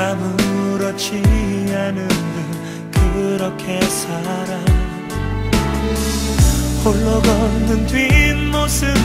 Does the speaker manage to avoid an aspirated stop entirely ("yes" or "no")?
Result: no